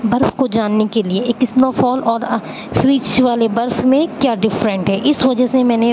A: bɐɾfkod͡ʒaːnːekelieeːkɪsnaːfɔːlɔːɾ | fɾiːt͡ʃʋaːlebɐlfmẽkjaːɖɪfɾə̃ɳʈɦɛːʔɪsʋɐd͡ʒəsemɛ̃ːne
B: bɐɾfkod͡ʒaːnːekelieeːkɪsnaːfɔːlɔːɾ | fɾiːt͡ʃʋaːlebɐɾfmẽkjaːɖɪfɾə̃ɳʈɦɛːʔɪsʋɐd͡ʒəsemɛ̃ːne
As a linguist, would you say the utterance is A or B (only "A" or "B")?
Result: B